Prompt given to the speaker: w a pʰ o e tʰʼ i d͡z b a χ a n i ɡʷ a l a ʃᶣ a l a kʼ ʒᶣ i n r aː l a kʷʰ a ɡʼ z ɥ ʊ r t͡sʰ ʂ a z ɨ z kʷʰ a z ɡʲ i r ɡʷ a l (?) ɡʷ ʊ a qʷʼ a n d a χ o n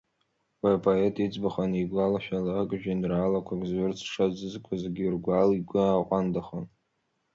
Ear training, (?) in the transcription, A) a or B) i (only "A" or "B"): B